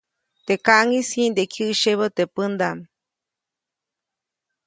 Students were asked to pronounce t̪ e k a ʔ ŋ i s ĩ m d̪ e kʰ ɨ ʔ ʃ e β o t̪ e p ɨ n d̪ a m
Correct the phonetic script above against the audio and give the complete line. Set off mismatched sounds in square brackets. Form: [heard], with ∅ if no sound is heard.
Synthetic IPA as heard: t̪ e k a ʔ ŋ i s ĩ [n] d̪ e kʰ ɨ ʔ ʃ e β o t̪ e p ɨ n d̪ a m